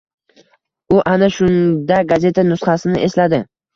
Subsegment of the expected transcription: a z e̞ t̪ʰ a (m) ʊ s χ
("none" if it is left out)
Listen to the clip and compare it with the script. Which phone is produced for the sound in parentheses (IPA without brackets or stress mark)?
n